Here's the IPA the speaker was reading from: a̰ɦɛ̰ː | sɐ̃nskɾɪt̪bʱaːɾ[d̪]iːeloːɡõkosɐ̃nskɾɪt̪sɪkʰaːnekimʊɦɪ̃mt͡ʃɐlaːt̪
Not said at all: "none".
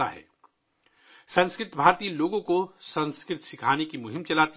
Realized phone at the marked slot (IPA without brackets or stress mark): t̪